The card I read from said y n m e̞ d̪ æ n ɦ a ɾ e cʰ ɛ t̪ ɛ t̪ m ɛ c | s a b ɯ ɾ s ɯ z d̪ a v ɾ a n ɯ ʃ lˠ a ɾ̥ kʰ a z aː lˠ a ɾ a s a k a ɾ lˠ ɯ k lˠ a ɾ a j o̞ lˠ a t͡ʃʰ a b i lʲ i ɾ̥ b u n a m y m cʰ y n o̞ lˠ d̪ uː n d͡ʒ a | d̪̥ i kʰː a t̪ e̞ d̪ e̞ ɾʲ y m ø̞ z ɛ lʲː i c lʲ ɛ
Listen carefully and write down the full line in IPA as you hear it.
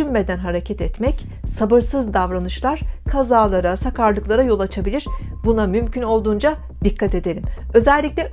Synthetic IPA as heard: y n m e̞ d̪ æ n ɦ a ɾ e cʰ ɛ t̪ ɛ t̪ m ɛ c | s a b ɯ ɾ s ɯ z d̪ a v ɾ a n ɯ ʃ lˠ a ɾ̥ kʰ a z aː lˠ a ɾ a s a k a ɾ lˠ ɯ k lˠ a ɾ a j o̞ lˠ a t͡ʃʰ a b i lʲ i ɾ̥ b u n a m y m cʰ y n o̞ lˠ d̪ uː n d͡ʒ a | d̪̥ i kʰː a t̪ e̞ d̪ e̞ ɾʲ i m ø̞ z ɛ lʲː i c lʲ ɛ